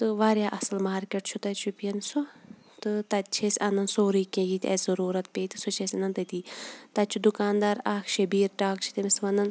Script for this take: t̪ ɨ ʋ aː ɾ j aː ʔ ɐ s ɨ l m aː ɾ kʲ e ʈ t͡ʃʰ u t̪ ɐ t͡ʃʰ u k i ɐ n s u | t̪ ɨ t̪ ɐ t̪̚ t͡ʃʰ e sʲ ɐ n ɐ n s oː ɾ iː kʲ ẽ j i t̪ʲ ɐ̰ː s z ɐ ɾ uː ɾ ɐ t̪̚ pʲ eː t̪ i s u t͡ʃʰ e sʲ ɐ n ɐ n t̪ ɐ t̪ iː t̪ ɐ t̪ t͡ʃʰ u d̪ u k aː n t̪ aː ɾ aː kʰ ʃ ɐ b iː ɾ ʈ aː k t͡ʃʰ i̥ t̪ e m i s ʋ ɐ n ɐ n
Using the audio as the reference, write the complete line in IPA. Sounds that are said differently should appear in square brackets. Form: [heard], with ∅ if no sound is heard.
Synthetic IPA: t̪ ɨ ʋ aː ɾ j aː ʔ ɐ s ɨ l m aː ɾ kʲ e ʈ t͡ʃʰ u t̪ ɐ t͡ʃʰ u [p] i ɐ n s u | t̪ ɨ t̪ ɐ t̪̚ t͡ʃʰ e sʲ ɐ n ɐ n s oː ɾ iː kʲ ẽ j i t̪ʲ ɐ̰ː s z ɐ ɾ uː ɾ ɐ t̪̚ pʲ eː t̪ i s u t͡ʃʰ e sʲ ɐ n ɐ n t̪ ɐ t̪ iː t̪ ɐ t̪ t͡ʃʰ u d̪ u k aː n [d̪] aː ɾ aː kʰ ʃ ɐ b iː ɾ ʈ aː k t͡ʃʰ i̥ t̪ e m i s ʋ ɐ n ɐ n